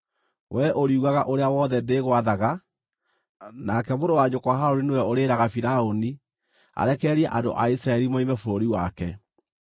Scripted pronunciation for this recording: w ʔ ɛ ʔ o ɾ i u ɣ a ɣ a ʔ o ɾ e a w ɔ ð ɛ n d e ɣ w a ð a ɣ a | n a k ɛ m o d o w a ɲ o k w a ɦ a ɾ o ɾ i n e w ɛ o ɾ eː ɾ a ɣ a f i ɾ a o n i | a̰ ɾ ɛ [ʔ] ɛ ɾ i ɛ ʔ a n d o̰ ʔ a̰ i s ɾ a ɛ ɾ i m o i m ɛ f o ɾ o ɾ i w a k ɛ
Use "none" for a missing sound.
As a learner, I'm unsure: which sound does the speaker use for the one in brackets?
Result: k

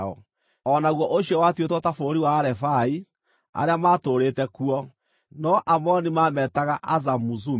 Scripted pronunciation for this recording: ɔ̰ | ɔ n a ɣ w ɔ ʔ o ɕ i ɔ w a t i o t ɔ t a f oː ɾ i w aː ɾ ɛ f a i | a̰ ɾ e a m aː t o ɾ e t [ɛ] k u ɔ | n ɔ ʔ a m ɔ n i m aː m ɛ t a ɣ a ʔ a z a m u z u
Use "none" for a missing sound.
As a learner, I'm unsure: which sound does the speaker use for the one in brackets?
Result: ɛ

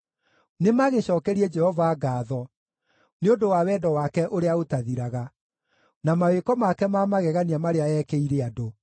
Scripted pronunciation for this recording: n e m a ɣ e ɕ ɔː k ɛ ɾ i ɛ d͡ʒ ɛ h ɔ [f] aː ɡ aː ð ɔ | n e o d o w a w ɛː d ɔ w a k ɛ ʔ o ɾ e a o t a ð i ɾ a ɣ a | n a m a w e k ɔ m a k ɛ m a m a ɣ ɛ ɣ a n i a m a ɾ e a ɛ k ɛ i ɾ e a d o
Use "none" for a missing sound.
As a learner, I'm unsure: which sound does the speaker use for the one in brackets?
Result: v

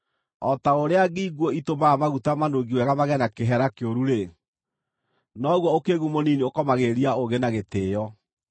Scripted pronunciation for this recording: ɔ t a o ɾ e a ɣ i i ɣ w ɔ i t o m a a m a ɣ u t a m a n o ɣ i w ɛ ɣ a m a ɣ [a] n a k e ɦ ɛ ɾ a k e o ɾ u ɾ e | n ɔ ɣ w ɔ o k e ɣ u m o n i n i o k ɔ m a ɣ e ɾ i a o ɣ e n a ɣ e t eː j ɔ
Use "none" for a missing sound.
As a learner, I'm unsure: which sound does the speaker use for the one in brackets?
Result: ɛ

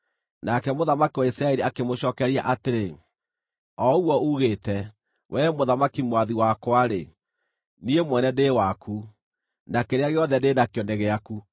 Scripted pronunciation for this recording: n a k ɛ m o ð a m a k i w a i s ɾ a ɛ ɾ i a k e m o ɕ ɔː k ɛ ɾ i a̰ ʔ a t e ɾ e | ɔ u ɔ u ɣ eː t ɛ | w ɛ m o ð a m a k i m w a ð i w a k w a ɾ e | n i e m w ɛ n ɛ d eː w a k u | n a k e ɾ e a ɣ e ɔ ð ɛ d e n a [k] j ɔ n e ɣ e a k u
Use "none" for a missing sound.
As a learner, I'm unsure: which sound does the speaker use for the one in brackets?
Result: k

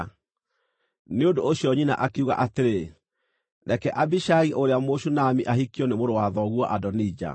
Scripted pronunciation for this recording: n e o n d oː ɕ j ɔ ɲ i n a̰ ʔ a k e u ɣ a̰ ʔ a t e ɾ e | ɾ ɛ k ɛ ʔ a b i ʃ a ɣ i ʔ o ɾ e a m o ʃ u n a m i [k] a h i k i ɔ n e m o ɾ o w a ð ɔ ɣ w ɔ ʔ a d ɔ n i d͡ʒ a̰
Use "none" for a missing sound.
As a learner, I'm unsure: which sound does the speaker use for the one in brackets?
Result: ʔ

